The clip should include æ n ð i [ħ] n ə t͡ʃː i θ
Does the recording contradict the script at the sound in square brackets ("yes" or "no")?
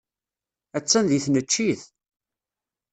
yes